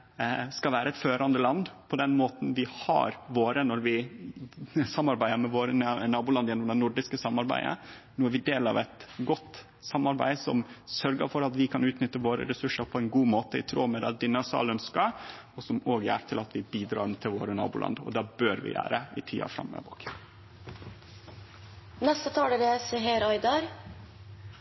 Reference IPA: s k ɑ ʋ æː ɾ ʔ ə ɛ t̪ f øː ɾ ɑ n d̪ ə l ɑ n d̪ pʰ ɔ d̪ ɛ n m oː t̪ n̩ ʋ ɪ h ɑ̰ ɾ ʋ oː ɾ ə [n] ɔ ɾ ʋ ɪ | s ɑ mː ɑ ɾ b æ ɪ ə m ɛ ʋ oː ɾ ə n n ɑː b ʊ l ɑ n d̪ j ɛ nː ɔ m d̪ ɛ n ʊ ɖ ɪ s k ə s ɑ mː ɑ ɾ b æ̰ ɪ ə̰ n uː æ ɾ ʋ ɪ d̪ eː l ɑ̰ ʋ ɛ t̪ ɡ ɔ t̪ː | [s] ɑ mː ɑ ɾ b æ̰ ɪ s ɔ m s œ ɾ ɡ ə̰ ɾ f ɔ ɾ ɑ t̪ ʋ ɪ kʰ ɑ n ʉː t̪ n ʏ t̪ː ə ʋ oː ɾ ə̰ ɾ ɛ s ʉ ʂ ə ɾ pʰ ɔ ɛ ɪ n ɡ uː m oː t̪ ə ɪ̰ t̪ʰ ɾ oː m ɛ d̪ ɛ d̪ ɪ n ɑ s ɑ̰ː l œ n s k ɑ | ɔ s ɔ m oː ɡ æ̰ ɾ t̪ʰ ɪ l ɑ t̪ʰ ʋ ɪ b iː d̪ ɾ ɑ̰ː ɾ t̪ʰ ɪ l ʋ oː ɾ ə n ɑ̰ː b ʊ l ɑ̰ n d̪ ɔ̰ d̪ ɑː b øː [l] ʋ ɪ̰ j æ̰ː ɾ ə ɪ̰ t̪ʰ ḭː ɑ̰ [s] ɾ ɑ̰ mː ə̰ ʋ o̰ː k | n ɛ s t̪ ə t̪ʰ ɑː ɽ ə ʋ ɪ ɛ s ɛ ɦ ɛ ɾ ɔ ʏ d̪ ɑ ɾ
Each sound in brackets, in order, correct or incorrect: correct, correct, incorrect: ɾ, incorrect: f

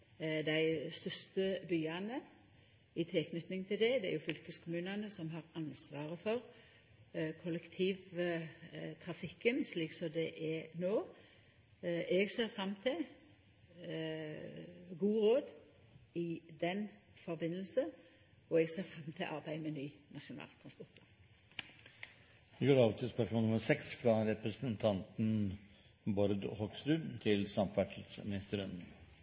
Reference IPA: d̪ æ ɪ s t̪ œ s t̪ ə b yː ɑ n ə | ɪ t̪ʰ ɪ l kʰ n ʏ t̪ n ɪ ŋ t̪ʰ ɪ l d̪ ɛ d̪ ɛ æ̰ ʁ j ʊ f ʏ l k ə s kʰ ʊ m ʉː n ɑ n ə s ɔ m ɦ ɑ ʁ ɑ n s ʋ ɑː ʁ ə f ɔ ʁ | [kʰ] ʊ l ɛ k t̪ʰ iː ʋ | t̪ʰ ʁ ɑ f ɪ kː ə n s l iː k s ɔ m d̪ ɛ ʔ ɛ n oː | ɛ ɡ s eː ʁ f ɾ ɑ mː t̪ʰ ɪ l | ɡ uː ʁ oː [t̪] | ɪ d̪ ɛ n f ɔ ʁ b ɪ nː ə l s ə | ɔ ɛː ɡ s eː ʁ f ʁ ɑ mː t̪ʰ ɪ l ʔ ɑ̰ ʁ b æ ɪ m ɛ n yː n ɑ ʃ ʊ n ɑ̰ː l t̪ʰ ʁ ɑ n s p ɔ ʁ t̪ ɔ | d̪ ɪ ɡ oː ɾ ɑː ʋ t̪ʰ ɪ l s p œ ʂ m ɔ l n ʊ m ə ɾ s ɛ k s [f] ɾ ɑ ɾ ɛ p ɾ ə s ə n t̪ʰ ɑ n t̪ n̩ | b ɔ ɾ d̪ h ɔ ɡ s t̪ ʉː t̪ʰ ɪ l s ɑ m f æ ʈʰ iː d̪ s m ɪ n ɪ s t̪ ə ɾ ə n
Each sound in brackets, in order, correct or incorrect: correct, incorrect: d̪, correct

